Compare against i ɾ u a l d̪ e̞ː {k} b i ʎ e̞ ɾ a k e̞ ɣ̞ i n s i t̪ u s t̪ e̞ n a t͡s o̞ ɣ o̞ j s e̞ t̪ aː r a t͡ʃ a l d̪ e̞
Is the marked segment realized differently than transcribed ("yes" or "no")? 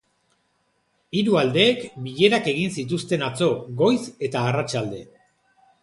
no